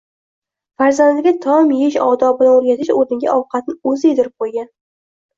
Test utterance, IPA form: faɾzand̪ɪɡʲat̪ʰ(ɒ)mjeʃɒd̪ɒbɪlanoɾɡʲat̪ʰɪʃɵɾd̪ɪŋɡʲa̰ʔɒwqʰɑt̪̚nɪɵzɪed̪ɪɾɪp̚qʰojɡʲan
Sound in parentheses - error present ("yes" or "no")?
no